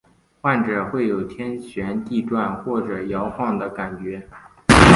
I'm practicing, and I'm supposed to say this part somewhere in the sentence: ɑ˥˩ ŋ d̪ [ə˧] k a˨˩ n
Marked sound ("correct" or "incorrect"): incorrect